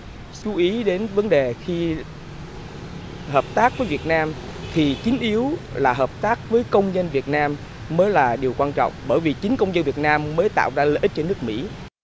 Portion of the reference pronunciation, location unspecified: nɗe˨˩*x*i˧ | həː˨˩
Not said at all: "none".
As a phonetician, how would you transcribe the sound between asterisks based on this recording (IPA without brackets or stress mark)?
x